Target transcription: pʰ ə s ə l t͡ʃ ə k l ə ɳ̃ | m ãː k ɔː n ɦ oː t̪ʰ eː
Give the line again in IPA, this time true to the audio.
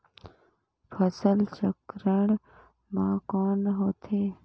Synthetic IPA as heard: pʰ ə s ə l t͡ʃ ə k ɾ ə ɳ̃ | m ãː k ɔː n ɦ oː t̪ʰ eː